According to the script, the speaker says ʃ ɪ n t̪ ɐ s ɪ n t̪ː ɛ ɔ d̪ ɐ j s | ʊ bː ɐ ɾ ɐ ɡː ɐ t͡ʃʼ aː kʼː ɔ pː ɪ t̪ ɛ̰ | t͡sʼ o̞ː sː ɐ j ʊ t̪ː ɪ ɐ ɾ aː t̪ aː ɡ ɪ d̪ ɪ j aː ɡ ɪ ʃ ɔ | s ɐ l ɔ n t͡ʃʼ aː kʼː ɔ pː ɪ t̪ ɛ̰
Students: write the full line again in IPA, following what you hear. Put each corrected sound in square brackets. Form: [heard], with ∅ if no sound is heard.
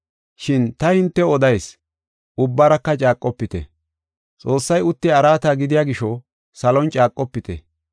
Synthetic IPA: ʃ ɪ n t̪ ɐ [h] ɪ n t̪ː ɛ ɔ d̪ ɐ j s | ʊ bː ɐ ɾ ɐ [kː] ɐ t͡ʃʼ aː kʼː ɔ pː ɪ t̪ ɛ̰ | t͡sʼ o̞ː sː ɐ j ʊ t̪ː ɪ ɐ ɾ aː t̪ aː ɡ ɪ d̪ ɪ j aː ɡ ɪ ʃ ɔ | s ɐ l ɔ n t͡ʃʼ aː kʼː ɔ pː ɪ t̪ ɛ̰